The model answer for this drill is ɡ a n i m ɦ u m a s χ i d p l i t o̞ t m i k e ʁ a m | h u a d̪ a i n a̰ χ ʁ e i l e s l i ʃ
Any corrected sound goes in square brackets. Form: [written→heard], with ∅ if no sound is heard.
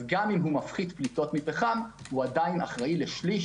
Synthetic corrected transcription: ɡ a [n→m] i m ɦ u m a [s→f] χ i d p l i t o̞ t m i [k→p] e [ʁ→χ] a m | h u a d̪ a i n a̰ χ ʁ [e→a] i l e [s→ʃ] l i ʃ